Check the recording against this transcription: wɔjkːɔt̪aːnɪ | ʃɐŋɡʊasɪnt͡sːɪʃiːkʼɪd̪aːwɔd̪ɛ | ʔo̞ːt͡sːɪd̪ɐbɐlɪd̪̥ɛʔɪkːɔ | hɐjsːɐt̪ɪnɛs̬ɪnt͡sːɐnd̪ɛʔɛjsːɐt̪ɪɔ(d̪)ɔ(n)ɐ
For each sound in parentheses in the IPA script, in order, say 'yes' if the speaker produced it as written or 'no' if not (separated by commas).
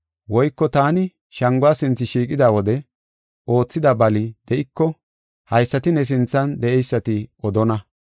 yes, yes